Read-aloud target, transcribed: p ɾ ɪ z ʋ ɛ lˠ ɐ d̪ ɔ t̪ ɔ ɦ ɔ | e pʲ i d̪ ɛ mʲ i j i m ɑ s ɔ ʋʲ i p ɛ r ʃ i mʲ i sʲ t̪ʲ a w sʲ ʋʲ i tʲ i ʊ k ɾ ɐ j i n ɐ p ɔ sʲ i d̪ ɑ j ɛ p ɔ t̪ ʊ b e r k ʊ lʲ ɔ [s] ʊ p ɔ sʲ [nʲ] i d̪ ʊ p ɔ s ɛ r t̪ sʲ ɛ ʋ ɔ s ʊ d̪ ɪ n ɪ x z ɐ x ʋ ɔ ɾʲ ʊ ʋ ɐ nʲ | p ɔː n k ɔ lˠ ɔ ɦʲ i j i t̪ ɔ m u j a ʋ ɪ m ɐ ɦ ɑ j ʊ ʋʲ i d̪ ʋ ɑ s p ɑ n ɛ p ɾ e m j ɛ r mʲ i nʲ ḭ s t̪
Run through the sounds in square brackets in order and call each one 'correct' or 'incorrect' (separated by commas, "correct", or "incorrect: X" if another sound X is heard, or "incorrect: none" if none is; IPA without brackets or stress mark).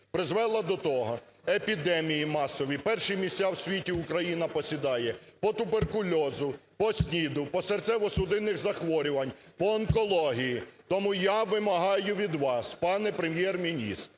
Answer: incorrect: z, correct